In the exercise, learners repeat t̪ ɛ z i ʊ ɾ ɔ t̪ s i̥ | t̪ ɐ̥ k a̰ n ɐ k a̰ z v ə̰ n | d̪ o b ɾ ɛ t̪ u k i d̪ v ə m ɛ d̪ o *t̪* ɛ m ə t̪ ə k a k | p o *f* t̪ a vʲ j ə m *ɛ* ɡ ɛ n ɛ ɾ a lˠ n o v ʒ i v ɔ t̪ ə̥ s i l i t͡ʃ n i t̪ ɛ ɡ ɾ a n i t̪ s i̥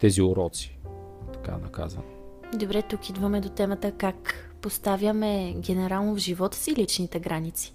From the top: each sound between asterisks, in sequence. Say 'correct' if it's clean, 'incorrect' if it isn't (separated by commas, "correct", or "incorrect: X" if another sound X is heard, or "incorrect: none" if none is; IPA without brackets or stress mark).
correct, incorrect: s, correct